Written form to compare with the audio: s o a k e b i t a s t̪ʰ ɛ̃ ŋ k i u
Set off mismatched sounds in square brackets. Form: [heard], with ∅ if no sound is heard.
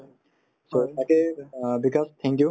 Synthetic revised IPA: s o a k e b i [k] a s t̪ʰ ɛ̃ ŋ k [j] u